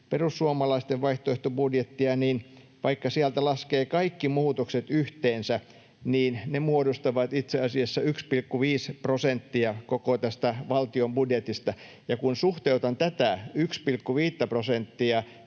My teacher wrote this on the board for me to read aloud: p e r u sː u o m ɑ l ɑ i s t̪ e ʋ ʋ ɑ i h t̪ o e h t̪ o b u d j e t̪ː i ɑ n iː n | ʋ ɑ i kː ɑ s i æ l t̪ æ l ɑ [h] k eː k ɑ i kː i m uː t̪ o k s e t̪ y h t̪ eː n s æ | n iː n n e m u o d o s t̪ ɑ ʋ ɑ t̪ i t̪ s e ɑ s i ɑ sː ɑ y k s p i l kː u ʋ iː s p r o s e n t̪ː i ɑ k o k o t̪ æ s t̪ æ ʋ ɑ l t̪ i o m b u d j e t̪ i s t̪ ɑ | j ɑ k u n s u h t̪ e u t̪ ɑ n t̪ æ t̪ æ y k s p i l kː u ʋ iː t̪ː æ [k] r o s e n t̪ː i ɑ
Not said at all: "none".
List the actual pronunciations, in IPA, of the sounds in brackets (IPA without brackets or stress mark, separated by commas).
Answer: s, p